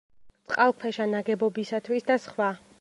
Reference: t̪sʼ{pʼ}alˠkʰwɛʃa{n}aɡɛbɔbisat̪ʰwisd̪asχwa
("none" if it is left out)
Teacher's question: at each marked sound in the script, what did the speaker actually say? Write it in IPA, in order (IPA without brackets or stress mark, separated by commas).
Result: qʼ, n